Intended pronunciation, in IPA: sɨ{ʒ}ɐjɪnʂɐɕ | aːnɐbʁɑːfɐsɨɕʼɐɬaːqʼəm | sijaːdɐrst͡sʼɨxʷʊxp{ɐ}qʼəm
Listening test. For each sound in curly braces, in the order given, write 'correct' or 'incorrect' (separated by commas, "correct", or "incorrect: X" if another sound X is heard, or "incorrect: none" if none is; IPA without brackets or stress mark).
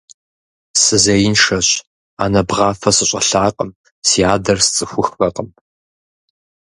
incorrect: z, correct